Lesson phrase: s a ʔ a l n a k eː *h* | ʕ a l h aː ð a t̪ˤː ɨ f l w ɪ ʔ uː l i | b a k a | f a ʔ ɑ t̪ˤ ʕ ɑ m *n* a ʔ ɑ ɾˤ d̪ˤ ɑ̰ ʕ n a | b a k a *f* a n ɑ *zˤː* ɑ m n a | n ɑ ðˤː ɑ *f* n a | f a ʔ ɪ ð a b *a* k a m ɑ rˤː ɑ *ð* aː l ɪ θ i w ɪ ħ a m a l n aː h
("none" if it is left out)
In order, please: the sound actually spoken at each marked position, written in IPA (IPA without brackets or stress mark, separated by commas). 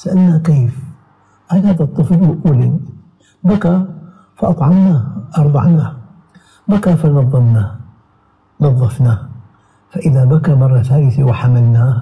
f, n, f, ðˤː, f, a, θ